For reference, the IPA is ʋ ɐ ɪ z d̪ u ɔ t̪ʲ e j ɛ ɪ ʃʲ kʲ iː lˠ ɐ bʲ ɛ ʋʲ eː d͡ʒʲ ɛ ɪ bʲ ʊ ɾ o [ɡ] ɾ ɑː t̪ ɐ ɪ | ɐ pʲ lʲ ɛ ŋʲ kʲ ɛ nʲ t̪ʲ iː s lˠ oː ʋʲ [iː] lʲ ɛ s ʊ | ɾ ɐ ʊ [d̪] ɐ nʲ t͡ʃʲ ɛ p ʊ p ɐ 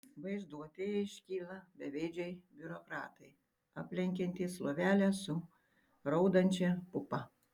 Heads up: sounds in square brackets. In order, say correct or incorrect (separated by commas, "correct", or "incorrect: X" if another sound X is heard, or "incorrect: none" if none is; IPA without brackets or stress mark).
incorrect: k, incorrect: æː, correct